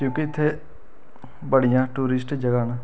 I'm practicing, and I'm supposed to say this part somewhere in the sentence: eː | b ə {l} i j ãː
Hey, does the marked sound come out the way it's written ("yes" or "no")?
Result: no